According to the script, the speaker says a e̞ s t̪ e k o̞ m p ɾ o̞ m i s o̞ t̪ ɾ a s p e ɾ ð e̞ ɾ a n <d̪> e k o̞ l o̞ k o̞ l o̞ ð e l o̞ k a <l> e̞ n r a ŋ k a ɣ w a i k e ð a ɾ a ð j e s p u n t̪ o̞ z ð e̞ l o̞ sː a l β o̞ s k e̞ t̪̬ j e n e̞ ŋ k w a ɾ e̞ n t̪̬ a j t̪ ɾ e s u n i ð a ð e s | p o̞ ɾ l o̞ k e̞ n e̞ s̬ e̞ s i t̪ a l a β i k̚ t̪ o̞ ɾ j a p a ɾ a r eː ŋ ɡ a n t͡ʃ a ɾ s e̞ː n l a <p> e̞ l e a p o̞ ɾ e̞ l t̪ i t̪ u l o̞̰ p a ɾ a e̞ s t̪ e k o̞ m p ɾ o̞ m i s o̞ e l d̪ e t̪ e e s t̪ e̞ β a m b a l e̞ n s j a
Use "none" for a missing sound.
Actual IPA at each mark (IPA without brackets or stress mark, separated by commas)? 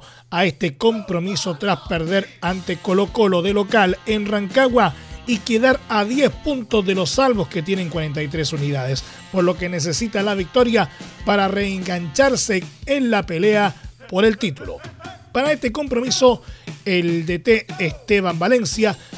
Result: t̪, l, p